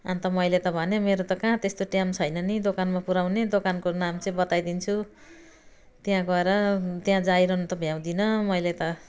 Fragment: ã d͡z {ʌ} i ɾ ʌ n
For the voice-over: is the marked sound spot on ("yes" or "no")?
no